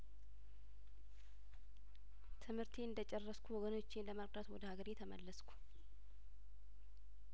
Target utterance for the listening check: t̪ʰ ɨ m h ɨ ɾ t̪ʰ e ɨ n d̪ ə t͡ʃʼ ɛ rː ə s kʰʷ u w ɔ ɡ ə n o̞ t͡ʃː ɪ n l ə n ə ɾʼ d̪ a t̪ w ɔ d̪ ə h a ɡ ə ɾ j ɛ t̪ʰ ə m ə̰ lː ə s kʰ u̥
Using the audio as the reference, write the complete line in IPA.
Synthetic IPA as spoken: t̪ʰ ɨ m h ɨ ɾ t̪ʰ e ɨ n d̪ ə t͡ʃʼ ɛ rː ə s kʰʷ u w ɔ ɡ ə n o̞ t͡ʃː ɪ n l ə m ə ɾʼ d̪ a t̪ w ɔ d̪ ə h a ɡ ə ɾ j ɛ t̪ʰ ə m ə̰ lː ə s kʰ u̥

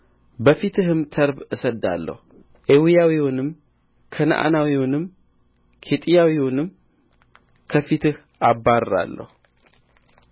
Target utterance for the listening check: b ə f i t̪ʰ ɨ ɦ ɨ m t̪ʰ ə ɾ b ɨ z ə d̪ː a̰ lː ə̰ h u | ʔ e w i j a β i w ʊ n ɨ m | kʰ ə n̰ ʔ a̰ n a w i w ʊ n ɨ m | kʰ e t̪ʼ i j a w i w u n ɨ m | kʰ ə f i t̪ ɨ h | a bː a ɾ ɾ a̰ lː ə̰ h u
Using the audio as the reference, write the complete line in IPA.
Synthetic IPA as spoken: b ə f i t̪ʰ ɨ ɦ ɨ m t̪ʰ ə ɾ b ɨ s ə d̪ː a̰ lː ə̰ h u | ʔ e w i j a w i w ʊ n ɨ m | kʰ ə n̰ ʔ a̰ n a w i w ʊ n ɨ m | kʰ e t̪ʼ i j a w i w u n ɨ m | kʰ ə f i t̪ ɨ h | a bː a ɾ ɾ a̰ lː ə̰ h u

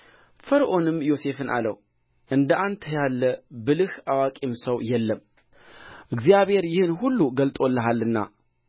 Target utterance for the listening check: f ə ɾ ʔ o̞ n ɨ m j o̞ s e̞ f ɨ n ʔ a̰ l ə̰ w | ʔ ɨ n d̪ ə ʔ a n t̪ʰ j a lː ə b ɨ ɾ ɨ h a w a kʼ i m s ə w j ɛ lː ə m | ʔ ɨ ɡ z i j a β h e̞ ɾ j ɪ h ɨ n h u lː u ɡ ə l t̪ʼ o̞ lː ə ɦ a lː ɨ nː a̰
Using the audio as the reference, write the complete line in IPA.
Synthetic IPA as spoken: f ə ɾ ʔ o̞ n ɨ m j o̞ s e̞ f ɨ n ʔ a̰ l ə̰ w | ʔ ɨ n d̪ ə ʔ a n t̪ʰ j a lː ə b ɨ l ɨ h a w a kʼ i m s ə w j ɛ lː ə m | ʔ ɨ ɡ z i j a β h e̞ ɾ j ɪ h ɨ n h u lː u ɡ ə l t̪ʼ o̞ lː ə ɦ a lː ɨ nː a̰

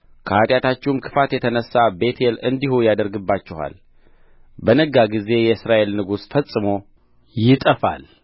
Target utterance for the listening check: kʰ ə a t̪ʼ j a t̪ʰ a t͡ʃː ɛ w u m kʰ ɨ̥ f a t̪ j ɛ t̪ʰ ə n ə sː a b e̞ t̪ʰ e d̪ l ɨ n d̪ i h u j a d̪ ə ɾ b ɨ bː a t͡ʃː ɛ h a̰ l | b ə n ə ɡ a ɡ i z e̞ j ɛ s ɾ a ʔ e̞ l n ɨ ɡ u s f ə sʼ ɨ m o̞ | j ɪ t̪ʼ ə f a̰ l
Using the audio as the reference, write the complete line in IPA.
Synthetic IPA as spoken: kʰ ə a t̪ʼ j a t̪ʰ a t͡ʃː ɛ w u m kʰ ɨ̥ f a t̪ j ɛ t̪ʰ ə n ə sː a b e̞ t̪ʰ e l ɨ n d̪ i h u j a d̪ ə ɾ ɡ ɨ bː a t͡ʃː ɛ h a̰ l | b ə n ə ɡ a ɡ i z e̞ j ɛ s ɾ a ʔ e̞ l n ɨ ɡ u s f ə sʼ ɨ m o̞ | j ɪ t̪ʼ ə f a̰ l

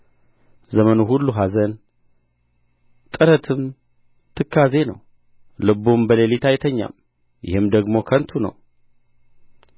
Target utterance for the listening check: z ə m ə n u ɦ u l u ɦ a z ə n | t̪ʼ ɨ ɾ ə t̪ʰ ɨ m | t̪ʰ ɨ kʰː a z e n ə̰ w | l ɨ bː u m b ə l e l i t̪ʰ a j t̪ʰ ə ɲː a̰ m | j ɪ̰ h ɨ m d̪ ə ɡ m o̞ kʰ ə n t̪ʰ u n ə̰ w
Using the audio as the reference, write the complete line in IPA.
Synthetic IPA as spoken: z ə m ə n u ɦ u lː u ɦ a z ə n | t̪ʼ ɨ ɾ ə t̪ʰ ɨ m | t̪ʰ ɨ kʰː a z e n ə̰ w | l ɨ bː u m b ə l e l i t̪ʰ a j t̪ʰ ə ɲː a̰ m | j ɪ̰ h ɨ m d̪ ə ɡ m o̞ kʰ ə n t̪ʰ u n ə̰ w

